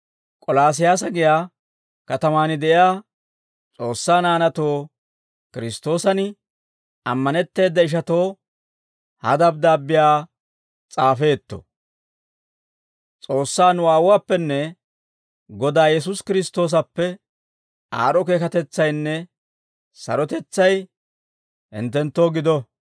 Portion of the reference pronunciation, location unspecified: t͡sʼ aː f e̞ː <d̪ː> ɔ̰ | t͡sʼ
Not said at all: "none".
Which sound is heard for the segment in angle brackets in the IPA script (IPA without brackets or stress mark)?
t̪ː